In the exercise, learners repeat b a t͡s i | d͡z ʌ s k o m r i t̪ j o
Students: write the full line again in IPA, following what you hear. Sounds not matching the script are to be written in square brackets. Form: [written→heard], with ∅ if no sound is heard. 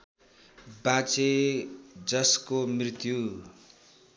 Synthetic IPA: b a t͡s [i→e] | d͡z ʌ s k o m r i t̪ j [o→u]